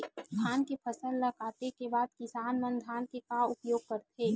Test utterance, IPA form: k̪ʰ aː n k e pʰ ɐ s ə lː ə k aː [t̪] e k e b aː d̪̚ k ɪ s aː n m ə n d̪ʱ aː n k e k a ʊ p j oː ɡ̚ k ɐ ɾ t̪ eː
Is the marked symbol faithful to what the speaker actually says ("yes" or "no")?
yes